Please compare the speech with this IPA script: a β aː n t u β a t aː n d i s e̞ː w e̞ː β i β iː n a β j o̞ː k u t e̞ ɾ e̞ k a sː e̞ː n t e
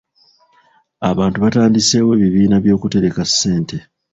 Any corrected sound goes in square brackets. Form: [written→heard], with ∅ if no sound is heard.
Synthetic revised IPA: a β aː n t u β a t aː n d i s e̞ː w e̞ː β i β iː n a β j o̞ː k u t e̞ ɾ e̞ k a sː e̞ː n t e